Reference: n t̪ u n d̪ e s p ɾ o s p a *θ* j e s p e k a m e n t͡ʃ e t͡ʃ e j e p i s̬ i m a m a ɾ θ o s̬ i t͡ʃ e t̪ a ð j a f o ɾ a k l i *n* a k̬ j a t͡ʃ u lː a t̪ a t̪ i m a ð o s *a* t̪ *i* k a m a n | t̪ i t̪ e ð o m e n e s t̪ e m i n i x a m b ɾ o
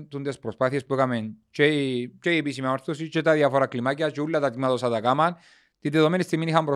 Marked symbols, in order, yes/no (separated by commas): yes, no, yes, no